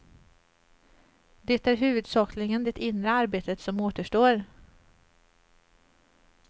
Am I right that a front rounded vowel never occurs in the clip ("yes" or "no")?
yes